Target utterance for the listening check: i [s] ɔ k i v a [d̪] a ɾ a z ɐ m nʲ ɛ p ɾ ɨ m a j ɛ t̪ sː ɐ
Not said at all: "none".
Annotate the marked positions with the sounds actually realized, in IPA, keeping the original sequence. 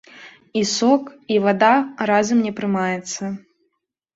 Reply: s, d̪

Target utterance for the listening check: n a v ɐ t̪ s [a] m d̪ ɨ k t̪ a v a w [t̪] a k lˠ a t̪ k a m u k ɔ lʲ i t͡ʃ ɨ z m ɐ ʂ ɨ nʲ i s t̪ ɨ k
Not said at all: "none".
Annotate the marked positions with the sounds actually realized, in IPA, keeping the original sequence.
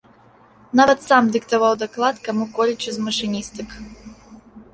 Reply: a, d̪

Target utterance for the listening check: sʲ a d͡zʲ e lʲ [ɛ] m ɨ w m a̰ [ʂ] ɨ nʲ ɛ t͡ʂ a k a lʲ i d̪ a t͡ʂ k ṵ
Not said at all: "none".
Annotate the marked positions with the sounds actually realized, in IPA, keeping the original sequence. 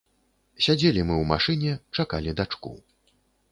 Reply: i, ʂ

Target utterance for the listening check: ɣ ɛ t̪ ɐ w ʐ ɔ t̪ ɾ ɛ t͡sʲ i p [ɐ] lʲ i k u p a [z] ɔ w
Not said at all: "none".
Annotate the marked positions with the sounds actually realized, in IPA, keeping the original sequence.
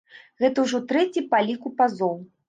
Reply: a, z

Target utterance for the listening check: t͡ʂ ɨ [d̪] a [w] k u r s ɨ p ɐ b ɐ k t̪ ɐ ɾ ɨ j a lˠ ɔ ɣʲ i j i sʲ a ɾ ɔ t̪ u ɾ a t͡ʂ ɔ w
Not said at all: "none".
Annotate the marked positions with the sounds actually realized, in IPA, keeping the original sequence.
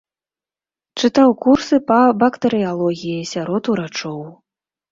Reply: t̪, w

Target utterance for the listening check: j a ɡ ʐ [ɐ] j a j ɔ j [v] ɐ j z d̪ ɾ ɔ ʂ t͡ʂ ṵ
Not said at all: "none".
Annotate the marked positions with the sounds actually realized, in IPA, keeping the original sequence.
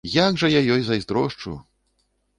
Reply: ɐ, z

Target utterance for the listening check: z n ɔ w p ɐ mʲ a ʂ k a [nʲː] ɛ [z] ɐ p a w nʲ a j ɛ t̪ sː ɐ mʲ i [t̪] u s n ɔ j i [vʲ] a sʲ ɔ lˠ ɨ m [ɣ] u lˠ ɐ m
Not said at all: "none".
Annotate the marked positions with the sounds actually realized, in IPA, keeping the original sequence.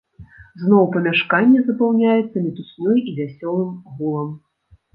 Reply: nʲː, z, t̪, vʲ, ɣ

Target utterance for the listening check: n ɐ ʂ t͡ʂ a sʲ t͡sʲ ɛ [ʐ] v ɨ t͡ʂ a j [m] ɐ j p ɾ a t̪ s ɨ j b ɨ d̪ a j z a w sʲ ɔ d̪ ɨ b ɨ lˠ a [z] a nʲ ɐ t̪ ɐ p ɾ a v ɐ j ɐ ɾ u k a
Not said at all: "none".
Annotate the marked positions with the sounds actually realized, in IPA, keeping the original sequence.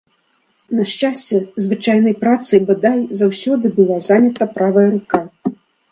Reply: z, n, z

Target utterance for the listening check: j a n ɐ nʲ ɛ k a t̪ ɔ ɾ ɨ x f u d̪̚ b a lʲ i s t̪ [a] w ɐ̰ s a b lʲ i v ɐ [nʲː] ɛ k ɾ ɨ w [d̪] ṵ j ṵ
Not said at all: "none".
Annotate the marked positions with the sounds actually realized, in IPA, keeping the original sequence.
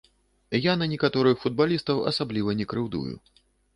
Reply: ɐ, nʲ, d̪

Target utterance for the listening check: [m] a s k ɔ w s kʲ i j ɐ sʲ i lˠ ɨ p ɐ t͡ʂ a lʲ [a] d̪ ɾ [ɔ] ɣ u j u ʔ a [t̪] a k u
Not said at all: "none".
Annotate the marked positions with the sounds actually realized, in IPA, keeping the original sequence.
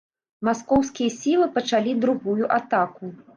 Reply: m, i, u, t̪

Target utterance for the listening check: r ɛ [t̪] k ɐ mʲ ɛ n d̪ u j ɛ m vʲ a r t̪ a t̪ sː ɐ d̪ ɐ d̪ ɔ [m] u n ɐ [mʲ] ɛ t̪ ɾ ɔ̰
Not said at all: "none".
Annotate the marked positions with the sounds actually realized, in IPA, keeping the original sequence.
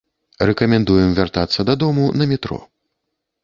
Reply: none, m, mʲ

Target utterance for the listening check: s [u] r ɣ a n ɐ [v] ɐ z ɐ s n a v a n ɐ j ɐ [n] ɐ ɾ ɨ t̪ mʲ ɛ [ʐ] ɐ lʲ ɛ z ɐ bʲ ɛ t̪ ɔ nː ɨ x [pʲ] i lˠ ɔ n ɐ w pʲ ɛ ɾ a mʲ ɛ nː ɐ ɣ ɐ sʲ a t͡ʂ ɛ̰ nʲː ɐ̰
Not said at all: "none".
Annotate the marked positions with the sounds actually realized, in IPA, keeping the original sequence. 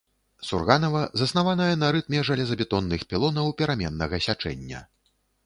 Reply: u, v, n, ʐ, pʲ

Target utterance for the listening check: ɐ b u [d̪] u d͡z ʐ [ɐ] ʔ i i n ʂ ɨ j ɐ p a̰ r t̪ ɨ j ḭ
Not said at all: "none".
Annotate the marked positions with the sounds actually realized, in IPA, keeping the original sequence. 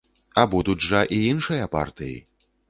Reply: d̪, ɐ

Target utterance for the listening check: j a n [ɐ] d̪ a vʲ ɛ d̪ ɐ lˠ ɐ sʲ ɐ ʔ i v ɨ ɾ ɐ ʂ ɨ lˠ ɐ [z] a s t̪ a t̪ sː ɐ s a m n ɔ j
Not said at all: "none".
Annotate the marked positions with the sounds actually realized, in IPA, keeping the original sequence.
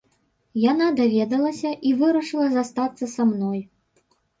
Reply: a, z

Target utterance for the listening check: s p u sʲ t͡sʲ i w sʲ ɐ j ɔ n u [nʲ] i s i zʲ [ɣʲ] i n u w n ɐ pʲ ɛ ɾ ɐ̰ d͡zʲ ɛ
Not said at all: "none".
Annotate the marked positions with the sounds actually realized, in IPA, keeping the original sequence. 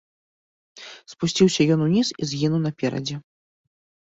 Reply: nʲ, ɣʲ

